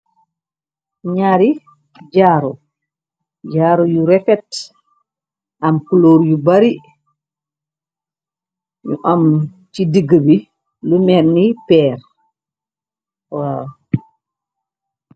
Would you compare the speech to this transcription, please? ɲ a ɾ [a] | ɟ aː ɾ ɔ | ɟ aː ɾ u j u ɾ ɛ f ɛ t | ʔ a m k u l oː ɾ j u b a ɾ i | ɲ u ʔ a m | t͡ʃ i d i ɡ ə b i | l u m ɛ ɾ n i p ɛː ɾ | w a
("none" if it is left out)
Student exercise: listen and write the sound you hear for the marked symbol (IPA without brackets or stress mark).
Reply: i